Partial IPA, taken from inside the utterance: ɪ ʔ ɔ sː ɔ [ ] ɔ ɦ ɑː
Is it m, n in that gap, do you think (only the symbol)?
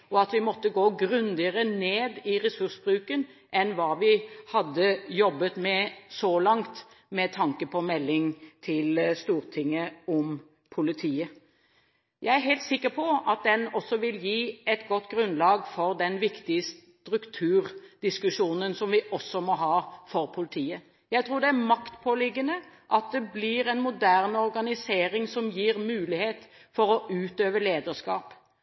m